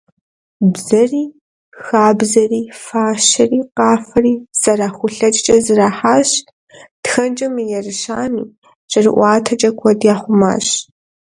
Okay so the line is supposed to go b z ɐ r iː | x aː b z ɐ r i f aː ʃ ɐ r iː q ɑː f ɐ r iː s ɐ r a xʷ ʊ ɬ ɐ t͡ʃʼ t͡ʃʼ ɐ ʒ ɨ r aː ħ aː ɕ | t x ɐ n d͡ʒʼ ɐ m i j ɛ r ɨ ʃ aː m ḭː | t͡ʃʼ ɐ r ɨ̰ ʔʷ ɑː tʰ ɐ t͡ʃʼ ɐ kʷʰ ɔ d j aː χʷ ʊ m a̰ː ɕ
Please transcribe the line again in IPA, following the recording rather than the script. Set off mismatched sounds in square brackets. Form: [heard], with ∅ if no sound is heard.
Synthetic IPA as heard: b z ɐ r iː | x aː b z ɐ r [iː] f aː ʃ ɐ r iː q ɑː f ɐ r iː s ɐ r a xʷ ʊ ɬ ɐ t͡ʃʼ t͡ʃʼ ɐ [z] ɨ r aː ħ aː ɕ | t x ɐ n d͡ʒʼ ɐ m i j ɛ r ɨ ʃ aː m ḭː | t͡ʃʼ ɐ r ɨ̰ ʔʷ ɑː tʰ ɐ t͡ʃʼ ɐ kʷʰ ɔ d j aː χʷ ʊ m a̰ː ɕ